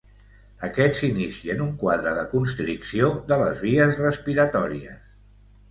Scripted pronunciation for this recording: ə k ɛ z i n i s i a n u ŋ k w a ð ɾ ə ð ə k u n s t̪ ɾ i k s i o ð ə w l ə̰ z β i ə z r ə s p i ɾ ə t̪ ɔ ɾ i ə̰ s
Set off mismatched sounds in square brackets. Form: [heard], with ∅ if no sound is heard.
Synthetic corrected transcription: ə k ɛ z i n i s i [ə] n u ŋ k w a ð ɾ ə ð ə k u n s t̪ ɾ i k s i o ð ə [∅] l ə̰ z β i ə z r ə s p i ɾ ə t̪ ɔ ɾ i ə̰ s

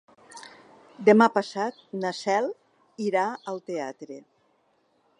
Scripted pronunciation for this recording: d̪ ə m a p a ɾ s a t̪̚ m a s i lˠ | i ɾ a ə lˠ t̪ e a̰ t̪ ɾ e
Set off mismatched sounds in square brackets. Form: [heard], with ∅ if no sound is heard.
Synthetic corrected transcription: d̪ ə m a p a [∅] s a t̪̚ [n] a s [ɛ] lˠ | i ɾ a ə lˠ t̪ e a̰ t̪ ɾ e

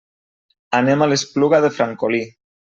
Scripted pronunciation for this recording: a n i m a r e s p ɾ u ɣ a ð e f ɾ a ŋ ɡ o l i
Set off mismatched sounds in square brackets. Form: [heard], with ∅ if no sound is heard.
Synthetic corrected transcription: a n [e] m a [l] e s p [l] u ɣ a ð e f ɾ a ŋ [k] o l i

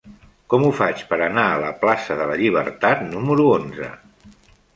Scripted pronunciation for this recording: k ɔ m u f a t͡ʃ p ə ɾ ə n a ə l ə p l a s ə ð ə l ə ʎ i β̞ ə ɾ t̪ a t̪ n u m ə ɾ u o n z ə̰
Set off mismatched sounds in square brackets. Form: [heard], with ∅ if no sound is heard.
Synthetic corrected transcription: k ɔ m u f a t͡ʃ p ə ɾ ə n a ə l ə p l a s ə ð ə l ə ʎ i β̞ ə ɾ t̪ a t̪ n u m ə ɾ u o n z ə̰

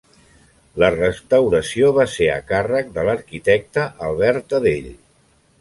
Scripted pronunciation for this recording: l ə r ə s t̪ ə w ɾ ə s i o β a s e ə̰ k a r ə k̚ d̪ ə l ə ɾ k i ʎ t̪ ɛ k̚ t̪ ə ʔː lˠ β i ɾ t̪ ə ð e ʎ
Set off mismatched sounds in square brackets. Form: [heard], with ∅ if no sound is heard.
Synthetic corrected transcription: l ə r ə s t̪ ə w ɾ ə s i o β a s e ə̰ k a r ə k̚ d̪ ə l ə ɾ k i [∅] t̪ ɛ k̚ t̪ ə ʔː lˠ β [ɛ] ɾ t̪ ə ð e ʎ

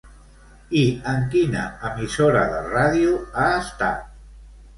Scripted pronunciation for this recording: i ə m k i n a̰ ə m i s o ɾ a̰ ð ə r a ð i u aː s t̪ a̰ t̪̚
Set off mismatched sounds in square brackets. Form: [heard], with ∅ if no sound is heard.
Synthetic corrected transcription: i ə [ŋ] k i n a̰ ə m i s o ɾ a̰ ð ə r a ð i u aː s t̪ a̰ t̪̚

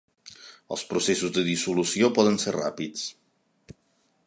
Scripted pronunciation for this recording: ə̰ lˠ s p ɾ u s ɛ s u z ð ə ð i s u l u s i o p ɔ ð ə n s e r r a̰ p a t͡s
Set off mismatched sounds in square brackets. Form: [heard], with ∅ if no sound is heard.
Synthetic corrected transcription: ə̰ lˠ s p ɾ u s [e] s u z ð ə ð i s u l u s i o p ɔ ð ə n s e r r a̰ p [i] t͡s

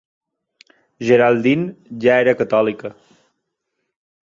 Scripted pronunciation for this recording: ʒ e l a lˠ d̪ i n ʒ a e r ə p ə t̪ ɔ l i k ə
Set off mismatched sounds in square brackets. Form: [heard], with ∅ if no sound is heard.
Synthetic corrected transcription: ʒ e [ɾ] a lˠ d̪ i n ʒ a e [ɾ] ə [k] ə t̪ ɔ l i k ə

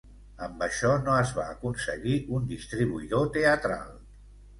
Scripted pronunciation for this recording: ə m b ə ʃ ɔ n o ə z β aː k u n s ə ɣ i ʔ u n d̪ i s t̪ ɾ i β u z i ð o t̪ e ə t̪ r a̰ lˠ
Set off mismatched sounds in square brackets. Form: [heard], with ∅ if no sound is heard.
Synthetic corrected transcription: ə m b ə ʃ ɔ n o ə z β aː k u n s ə ɣ i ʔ u n d̪ i s t̪ ɾ i β u [∅] i ð o t̪ e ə t̪ [ɾ] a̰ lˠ

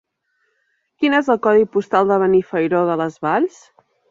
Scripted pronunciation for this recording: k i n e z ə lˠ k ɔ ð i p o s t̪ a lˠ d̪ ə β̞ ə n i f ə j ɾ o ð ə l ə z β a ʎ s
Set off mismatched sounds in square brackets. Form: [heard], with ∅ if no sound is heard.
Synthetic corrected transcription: k i n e z ə lˠ k ɔ ð i p [u] s t̪ a lˠ d̪ ə β̞ ə n i f ə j ɾ o ð ə l ə z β a ʎ s

